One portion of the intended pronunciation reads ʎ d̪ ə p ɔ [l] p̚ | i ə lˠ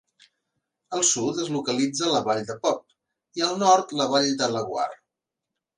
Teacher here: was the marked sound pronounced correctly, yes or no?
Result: no